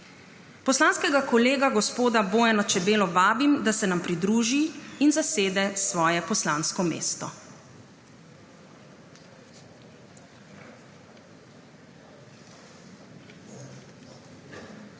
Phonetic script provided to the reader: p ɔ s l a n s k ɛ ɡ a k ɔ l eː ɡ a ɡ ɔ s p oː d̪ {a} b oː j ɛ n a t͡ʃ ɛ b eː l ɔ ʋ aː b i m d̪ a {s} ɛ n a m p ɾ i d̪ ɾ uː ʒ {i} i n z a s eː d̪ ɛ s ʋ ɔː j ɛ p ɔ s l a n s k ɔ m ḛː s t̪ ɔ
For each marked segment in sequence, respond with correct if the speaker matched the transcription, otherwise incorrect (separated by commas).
correct, correct, correct